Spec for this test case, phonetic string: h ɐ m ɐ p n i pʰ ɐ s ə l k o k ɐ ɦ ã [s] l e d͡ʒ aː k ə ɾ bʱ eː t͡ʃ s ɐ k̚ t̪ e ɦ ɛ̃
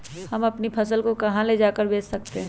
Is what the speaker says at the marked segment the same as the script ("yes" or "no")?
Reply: no